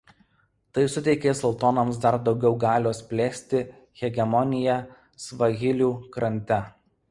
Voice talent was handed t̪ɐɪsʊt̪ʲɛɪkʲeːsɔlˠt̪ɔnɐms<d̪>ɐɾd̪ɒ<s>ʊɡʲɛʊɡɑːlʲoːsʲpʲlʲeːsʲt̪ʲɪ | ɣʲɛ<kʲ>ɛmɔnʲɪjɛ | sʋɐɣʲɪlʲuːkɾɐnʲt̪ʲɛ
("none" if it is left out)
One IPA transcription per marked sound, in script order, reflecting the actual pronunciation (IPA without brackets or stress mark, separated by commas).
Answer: d̪, none, ɡʲ